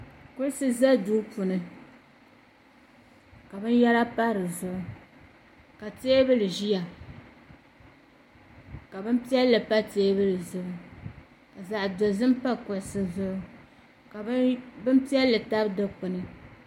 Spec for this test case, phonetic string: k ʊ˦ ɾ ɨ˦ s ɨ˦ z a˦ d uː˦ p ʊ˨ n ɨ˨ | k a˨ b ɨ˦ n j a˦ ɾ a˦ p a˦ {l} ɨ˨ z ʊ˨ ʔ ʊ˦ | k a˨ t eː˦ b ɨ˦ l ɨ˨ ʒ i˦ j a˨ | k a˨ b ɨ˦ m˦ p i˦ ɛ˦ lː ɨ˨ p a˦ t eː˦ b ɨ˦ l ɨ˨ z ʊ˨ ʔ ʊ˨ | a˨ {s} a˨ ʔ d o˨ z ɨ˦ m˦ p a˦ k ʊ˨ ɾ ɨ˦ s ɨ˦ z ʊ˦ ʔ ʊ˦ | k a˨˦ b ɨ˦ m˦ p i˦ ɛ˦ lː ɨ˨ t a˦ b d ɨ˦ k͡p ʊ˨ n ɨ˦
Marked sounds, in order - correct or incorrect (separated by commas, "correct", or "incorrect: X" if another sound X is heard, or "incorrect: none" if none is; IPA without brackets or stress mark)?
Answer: incorrect: ɾ, incorrect: z